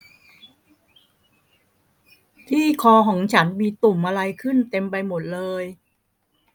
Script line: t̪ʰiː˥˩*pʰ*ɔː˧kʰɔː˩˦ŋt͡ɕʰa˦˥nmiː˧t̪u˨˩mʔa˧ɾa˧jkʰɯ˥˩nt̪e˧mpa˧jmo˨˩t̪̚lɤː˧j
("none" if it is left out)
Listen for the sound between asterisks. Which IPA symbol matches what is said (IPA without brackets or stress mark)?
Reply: kʰ